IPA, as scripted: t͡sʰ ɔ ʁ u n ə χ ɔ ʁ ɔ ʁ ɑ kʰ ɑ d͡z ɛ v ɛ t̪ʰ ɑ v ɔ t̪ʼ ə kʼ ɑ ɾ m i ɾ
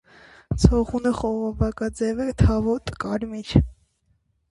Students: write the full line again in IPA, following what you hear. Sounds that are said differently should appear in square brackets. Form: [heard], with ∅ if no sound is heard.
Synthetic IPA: t͡sʰ ɔ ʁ u n ə χ ɔ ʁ ɔ [v] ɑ [k] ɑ d͡z ɛ v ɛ t̪ʰ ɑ v ɔ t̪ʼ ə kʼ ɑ ɾ m i ɾ